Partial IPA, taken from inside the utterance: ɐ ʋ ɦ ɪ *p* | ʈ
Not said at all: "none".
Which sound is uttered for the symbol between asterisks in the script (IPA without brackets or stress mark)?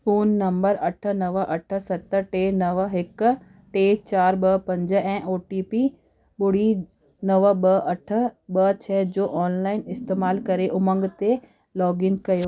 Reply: k